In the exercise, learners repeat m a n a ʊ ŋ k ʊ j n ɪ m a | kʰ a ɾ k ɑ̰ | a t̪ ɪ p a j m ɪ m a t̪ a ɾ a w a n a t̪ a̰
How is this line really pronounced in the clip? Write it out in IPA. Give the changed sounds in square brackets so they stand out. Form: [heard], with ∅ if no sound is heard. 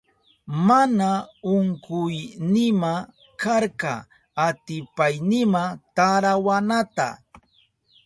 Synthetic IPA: m a n a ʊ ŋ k ʊ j n ɪ m a | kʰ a ɾ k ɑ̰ | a t̪ ɪ p a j [n] ɪ m a t̪ a ɾ a w a n a t̪ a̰